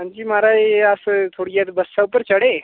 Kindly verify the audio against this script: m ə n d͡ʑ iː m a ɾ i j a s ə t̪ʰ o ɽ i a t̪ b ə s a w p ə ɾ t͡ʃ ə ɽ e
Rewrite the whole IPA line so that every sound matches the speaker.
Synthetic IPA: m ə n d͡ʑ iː m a ɾ a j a s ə t̪ʰ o ɽ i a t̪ b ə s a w p ə ɾ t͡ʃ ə ɽ e